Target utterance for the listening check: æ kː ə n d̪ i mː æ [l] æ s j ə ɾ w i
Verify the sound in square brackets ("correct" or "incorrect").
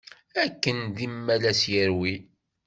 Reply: correct